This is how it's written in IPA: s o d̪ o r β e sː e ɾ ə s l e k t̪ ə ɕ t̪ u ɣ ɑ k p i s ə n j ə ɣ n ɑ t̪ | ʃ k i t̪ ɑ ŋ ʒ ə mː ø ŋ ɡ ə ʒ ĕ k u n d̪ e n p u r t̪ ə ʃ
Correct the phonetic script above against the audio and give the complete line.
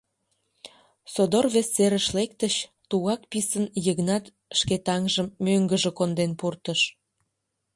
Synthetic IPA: s o d̪ o r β e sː e ɾ ə ʃ l e k t̪ ə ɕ t̪ u ɣ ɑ k p i s ə n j ə ɣ n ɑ t̪ | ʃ k e t̪ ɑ ŋ ʒ ə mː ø ŋ ɡ ə ʒ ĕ k o n d̪ e n p u r t̪ ə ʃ